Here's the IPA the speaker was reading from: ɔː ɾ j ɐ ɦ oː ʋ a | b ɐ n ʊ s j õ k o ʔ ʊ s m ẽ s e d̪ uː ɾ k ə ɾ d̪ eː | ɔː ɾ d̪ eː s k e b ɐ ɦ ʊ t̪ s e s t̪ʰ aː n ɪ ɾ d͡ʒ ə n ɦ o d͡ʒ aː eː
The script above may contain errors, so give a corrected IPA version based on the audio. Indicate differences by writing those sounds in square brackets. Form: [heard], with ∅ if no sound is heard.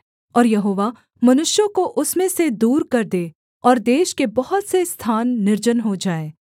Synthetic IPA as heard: ɔː ɾ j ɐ ɦ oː ʋ a | [m] ɐ n ʊ [ʃ] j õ k o ʔ ʊ s m ẽ s e d̪ uː ɾ k [ɐ] ɾ d̪ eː | ɔː ɾ d̪ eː [ʃ] k e b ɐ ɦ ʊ t̪ s e s t̪ʰ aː [nː] ɪ ɾ d͡ʒ ə n ɦ o d͡ʒ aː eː